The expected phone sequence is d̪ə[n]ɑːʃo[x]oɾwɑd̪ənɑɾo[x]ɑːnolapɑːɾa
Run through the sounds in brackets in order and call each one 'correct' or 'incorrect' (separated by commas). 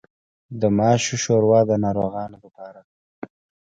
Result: incorrect, incorrect, incorrect